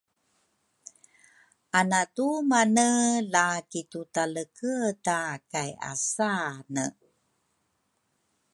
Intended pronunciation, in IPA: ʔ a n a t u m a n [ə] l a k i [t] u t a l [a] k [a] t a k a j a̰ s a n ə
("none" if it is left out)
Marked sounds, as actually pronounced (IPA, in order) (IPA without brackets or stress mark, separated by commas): ə, t, ə, ə